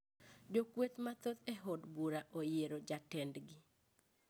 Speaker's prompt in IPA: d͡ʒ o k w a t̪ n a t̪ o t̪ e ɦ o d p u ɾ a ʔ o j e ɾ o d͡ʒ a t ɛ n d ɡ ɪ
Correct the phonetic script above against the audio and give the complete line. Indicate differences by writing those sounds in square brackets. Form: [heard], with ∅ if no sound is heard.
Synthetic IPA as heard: d͡ʒ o k w [e] t̪ [m] a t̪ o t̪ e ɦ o d [b] u ɾ a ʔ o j e ɾ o d͡ʒ a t ɛ n d ɡ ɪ